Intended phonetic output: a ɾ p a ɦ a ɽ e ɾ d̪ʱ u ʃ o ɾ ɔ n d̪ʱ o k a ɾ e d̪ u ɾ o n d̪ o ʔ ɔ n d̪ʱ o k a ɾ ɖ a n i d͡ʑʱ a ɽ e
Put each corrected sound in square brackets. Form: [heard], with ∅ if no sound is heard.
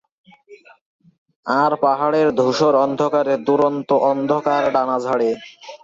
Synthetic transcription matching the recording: a ɾ p a ɦ a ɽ e ɾ d̪ʱ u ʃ o ɾ ɔ n d̪ʱ o k a ɾ e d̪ u ɾ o n [t̪] o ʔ ɔ n d̪ʱ o k a ɾ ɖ a n [a] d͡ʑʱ a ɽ e